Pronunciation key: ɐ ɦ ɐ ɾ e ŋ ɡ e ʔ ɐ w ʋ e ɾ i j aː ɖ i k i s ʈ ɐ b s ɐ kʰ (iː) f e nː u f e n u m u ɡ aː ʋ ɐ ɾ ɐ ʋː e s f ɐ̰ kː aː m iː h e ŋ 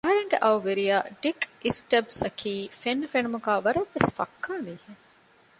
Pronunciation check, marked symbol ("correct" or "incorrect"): correct